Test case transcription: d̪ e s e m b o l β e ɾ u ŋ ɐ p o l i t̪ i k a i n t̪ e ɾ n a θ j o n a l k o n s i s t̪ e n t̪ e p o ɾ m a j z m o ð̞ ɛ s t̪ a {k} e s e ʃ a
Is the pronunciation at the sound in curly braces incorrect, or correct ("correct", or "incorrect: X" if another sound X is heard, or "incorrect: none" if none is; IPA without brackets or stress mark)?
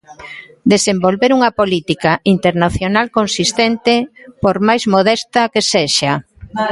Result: correct